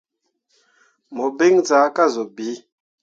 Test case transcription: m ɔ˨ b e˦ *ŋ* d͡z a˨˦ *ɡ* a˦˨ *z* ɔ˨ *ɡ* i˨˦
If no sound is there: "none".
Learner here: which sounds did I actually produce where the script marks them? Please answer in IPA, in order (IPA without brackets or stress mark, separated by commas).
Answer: ŋ, k, z, b